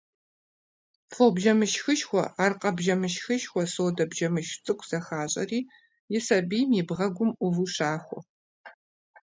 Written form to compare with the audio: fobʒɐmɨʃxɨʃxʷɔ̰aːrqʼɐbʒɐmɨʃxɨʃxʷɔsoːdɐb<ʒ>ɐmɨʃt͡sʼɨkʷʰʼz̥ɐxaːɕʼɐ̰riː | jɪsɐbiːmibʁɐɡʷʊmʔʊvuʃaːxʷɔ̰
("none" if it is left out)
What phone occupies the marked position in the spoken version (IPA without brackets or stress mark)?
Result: ʒ